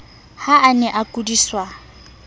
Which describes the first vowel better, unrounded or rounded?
unrounded